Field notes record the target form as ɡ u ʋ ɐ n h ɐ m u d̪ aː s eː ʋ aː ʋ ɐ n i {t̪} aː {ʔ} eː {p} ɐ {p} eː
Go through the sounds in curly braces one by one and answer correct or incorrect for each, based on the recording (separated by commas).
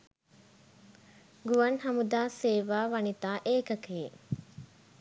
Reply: correct, correct, incorrect, incorrect